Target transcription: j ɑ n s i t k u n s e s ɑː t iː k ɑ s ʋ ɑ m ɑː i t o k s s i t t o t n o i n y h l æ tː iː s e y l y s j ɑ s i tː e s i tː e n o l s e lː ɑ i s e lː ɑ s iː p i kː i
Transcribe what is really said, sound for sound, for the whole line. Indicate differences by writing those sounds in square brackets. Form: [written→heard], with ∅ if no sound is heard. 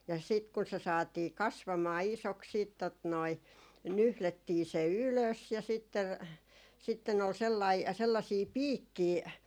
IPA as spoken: j ɑ [n→∅] s i t k u n s e s ɑː t iː k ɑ s ʋ ɑ m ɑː i [t→s] o k s s [i→iː] t t o t n o i n y h l [æ→e] tː iː s e y l [y→ø] s j ɑ s i tː e s i tː e n o l s e lː ɑ i s e lː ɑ s iː p [i→iː] kː [i→iː]